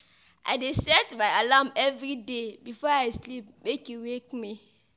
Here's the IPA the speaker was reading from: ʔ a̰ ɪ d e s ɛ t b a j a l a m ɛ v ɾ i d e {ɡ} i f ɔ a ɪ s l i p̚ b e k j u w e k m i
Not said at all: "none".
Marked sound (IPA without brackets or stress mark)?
b